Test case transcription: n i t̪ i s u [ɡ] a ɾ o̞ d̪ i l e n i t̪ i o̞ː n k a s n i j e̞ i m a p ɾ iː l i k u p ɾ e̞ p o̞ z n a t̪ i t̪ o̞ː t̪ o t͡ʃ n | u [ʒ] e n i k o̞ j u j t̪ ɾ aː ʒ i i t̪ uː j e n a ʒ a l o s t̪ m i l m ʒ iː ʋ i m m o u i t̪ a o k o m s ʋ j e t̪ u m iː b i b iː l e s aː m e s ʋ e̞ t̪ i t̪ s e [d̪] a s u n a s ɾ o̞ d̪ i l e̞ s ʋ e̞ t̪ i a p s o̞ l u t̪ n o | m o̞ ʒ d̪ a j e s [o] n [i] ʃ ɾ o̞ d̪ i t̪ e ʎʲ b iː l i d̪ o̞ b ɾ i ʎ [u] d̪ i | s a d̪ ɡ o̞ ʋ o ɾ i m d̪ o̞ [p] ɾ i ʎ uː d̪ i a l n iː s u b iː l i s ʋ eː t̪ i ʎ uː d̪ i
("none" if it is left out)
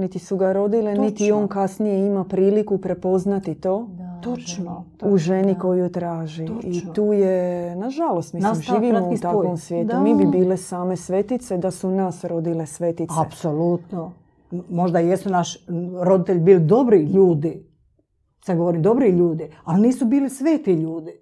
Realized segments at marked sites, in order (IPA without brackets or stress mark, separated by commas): ɡ, ʒ, d̪, u, a, uː, b